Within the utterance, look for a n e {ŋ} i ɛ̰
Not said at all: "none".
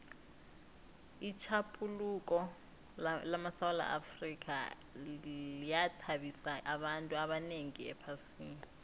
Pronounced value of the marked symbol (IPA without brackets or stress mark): ŋ